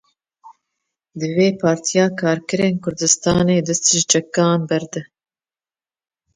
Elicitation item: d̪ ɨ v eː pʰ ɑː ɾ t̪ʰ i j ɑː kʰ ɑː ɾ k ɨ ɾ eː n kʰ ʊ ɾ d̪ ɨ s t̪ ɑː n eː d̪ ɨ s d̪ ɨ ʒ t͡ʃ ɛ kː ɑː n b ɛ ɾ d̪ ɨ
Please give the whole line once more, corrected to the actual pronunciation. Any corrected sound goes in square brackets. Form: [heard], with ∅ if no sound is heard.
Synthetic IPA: d̪ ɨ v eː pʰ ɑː ɾ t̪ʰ i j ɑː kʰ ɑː ɾ k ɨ ɾ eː n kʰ ʊ ɾ d̪ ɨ s t̪ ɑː n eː d̪ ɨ s [t̪] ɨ ʒ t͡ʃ ɛ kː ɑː n b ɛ ɾ d̪ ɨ

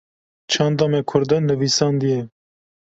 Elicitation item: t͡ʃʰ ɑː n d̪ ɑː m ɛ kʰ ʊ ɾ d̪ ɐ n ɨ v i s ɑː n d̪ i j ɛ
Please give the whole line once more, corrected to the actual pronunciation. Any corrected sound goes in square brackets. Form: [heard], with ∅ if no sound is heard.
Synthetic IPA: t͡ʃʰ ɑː n d̪ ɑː m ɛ kʰ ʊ ɾ d̪ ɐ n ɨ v i s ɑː n d̪ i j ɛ

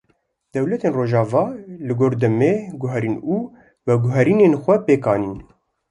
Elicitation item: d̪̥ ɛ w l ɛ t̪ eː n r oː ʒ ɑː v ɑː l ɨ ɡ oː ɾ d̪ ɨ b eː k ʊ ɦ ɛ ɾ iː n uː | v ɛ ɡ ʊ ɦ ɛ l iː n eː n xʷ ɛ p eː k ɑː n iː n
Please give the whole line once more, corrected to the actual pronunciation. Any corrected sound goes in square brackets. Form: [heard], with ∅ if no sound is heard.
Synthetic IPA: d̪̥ ɛ w l ɛ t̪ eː n r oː ʒ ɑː v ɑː l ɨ ɡ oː ɾ d̪ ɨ [m] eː [ɡ] ʊ ɦ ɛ ɾ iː n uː | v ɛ ɡ ʊ ɦ ɛ [ɾ] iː n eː n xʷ ɛ p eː k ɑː n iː n

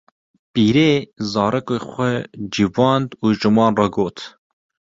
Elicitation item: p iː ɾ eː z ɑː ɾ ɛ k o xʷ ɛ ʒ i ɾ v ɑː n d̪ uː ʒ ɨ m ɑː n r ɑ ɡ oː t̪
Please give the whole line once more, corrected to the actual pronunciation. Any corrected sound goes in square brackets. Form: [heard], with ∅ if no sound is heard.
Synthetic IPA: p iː ɾ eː z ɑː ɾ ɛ k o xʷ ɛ [d͡ʒ] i [∅] v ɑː n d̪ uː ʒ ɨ m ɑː n r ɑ ɡ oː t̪

